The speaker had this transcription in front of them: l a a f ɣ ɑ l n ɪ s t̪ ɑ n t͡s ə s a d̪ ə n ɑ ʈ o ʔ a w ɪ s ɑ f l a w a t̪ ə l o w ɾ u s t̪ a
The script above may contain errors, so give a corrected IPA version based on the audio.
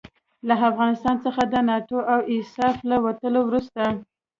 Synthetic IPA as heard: l a a f ɣ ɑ n ɪ s t̪ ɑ n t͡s ə x a d̪ ə n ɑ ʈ o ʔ a w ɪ s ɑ f l a w a t̪ ə l o w ɾ u s t̪ a